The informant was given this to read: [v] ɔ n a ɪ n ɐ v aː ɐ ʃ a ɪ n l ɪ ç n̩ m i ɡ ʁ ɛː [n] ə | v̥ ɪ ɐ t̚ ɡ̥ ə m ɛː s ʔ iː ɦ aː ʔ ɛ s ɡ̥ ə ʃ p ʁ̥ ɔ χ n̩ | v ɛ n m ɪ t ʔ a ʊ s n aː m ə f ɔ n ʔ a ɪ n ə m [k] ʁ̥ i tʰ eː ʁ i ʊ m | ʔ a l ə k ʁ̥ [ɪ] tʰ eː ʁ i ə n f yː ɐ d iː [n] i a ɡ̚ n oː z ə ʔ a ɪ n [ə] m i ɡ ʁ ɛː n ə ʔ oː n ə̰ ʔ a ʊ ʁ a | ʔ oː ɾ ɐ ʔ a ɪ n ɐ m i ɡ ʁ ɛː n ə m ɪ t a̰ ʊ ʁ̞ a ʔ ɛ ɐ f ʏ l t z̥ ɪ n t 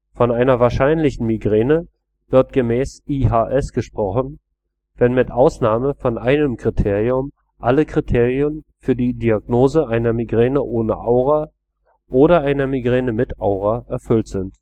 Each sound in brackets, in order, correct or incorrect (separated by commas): incorrect, correct, correct, incorrect, incorrect, incorrect